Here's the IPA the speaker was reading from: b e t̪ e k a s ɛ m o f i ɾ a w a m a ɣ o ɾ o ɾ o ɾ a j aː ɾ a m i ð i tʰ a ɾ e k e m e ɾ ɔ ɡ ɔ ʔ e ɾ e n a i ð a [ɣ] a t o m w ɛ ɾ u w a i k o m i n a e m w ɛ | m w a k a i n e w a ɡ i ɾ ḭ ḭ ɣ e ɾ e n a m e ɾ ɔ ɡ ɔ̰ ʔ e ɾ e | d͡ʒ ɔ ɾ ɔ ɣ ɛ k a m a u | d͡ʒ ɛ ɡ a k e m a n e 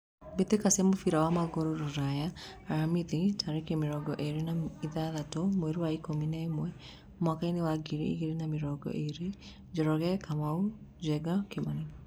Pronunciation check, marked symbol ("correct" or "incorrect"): incorrect